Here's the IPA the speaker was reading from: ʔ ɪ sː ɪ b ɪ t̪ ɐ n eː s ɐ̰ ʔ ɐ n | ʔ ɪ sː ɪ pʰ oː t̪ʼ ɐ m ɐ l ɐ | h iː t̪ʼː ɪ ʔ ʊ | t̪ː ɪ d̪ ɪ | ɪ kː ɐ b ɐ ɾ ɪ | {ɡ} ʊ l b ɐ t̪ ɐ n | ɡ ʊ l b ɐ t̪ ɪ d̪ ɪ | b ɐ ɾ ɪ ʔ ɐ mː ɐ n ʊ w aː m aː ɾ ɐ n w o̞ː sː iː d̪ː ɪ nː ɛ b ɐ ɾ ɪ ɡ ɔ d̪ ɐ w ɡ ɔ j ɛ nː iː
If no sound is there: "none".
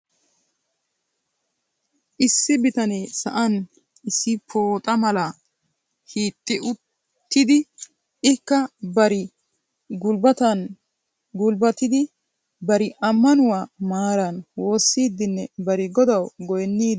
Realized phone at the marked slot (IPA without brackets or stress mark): ɡ